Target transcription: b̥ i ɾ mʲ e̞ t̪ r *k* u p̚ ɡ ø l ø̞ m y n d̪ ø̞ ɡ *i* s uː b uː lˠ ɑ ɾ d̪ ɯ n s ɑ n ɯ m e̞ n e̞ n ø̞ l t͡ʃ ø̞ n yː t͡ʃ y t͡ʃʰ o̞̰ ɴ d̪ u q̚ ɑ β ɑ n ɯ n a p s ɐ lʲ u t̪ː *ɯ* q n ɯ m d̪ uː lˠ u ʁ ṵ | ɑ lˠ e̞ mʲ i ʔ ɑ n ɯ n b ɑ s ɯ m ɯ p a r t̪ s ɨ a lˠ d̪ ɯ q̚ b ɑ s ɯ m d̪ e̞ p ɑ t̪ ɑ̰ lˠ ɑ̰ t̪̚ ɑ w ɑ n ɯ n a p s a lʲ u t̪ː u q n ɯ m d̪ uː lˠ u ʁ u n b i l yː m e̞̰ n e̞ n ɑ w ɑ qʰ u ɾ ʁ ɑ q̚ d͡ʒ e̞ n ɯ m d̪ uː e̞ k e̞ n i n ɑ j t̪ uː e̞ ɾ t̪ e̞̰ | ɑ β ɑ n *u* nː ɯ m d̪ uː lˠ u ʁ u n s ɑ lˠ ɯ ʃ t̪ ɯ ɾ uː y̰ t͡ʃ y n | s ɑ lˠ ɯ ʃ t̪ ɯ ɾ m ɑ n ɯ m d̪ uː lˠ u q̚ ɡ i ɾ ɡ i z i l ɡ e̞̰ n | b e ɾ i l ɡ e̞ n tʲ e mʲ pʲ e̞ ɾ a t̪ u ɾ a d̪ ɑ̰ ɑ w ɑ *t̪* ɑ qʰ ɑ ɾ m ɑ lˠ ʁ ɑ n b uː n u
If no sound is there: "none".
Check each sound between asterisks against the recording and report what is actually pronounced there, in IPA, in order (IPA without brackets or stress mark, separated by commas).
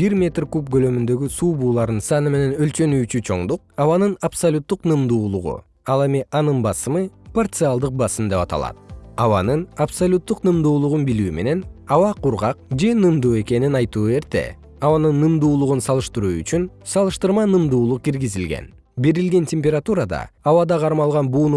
k, y, u, ɯ, d̪